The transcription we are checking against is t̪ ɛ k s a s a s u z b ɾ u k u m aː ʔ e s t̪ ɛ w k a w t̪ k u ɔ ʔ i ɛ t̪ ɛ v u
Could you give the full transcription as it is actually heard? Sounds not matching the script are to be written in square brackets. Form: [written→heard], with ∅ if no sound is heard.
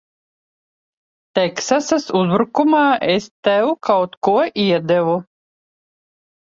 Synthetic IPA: t̪ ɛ k s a s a s u z b ɾ u k u m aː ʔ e s t̪ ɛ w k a w t̪ k u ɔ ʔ i ɛ [t̪→d̪] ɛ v u